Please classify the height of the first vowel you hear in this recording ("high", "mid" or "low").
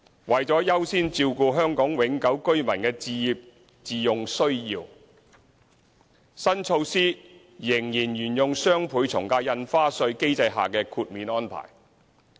low